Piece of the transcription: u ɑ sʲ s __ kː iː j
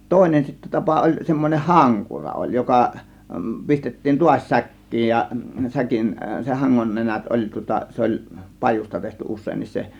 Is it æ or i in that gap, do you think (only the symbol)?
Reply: æ